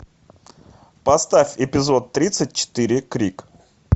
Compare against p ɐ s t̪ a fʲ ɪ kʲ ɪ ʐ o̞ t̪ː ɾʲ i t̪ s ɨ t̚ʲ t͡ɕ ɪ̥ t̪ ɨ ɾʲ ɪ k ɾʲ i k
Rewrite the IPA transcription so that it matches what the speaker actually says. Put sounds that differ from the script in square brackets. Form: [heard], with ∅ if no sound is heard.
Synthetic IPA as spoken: p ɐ s t̪ a fʲ ɪ [pʲ] ɪ [z] o̞ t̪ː ɾʲ i t̪ s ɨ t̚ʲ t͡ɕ ɪ̥ t̪ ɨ ɾʲ ɪ k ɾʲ i k